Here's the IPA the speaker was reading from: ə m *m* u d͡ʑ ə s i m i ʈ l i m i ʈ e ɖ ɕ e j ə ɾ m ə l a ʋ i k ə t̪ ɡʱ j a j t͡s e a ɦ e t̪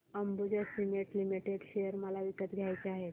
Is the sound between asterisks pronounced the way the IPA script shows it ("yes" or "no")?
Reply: no